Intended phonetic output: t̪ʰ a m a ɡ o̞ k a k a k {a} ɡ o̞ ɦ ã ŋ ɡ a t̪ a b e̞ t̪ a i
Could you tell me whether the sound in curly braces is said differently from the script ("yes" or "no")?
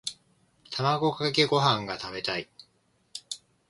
yes